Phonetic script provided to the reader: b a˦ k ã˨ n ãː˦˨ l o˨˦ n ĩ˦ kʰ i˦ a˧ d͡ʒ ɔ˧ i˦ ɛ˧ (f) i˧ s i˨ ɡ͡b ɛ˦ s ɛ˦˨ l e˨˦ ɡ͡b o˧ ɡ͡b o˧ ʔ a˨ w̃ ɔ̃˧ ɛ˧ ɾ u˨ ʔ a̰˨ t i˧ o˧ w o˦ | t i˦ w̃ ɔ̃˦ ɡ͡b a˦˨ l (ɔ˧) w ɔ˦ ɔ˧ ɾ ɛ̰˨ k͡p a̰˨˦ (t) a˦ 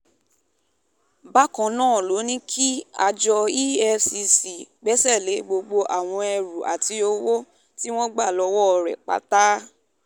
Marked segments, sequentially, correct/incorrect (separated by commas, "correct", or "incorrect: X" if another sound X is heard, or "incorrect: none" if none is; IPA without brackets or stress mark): incorrect: s, correct, correct